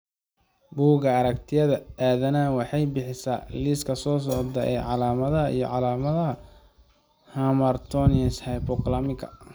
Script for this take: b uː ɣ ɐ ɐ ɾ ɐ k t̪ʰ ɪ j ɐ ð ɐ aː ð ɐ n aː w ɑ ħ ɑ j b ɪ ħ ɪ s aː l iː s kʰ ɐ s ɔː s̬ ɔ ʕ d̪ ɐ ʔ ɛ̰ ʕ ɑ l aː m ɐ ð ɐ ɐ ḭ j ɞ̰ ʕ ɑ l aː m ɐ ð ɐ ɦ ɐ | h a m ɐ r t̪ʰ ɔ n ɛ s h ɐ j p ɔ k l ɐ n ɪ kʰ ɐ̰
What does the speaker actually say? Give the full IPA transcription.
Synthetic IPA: b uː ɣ ɐ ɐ ɾ ɐ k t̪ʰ ɪ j ɐ ð ɐ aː ð ɐ n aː w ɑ ħ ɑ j b ɪ ħ ɪ s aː l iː s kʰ ɐ s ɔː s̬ ɔ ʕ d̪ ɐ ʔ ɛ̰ ʕ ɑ l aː m ɐ ð ɐ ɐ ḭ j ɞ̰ ʕ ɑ l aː m ɐ ð ɐ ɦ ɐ | h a m ɐ r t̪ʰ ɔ n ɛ s h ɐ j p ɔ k l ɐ m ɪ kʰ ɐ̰